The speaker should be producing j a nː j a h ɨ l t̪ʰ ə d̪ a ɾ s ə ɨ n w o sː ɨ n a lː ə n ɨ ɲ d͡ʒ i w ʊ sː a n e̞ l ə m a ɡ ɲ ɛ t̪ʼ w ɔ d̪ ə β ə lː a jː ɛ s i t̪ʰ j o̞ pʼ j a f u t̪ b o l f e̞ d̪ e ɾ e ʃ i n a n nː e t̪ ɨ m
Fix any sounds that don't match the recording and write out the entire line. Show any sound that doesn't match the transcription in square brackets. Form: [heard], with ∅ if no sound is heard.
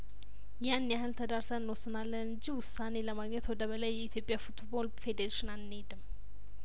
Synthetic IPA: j a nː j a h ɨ l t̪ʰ ə d̪ a ɾ s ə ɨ n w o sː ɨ n a lː ə n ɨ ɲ d͡ʒ i w ʊ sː a n e̞ l ə m a ɡ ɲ ɛ [t̪] w ɔ d̪ ə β ə [l] a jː ɛ [∅] i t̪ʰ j o̞ pʼ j a f u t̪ b o l f e̞ d̪ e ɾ e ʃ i n a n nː e [d̪] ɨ m

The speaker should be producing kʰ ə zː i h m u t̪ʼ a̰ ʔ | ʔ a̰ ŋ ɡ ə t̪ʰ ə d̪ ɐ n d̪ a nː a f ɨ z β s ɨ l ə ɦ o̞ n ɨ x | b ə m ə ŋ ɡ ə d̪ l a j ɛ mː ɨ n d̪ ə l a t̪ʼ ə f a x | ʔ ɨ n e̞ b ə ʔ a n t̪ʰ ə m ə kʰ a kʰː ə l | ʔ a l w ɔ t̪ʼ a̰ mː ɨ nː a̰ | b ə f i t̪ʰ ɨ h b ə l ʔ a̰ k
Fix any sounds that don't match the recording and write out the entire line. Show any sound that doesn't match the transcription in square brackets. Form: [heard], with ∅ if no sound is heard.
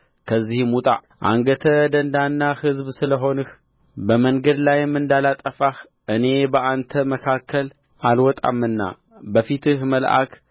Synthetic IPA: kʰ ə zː i h m u t̪ʼ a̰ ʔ | ʔ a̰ ŋ ɡ ə t̪ʰ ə d̪ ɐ n d̪ a nː a [h] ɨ z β s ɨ l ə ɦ o̞ n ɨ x | b ə m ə ŋ ɡ ə d̪ l a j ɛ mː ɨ n d̪ [a] l a t̪ʼ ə f a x | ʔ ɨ n e̞ b ə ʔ a n t̪ʰ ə m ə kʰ a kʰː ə l | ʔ a l w ɔ t̪ʼ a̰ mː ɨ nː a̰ | b ə f i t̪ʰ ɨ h [m] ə l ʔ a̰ k

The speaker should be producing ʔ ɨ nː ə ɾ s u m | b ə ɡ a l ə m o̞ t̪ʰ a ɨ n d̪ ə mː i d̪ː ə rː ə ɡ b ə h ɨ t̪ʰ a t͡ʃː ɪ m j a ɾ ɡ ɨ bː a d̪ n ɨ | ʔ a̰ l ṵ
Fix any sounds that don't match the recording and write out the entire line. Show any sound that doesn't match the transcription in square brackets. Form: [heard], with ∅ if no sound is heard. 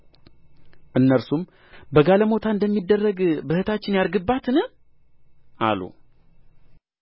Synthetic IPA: ʔ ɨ nː ə ɾ s u m | b ə ɡ a l ə m o̞ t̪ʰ a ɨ n d̪ ə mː i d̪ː ə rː ə ɡ b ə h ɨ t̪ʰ a t͡ʃː ɪ [n] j a ɾ ɡ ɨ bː a [t̪] n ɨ | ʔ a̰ l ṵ

